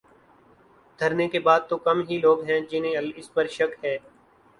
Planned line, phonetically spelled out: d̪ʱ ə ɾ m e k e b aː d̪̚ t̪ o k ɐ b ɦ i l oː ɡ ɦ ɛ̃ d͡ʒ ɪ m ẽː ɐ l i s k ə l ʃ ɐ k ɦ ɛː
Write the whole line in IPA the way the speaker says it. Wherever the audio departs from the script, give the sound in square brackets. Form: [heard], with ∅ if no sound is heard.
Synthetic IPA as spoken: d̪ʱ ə ɾ [n] e k e b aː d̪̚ t̪ o k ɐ [m] ɦ i l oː ɡ ɦ ɛ̃ d͡ʒ ɪ [n] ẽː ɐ l [ɪ] s [p] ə [ɾ] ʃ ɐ k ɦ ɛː